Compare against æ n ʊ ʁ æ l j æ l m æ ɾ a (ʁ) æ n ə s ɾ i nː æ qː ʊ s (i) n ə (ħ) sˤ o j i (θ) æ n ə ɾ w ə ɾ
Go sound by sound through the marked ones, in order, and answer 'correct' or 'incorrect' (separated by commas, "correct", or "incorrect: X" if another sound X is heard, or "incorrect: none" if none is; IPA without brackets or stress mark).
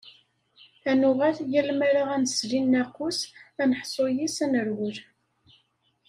correct, incorrect: æ, correct, incorrect: s